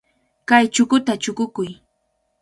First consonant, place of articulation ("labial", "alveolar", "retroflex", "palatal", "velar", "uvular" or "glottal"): velar